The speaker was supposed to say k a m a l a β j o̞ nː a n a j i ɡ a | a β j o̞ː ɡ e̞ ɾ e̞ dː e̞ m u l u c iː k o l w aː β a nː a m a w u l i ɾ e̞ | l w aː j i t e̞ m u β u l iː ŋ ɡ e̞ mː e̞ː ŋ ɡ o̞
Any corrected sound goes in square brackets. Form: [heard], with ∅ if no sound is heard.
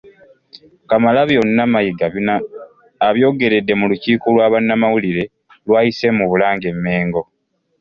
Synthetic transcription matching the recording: k a m a l a β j o̞ nː a [m] a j i ɡ a | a β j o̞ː ɡ e̞ ɾ e̞ dː e̞ m u l u c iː k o l w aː β a nː a m a w u l i ɾ e̞ | l w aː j i [s] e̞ m u β u l [aː] ŋ ɡ e̞ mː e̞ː ŋ ɡ o̞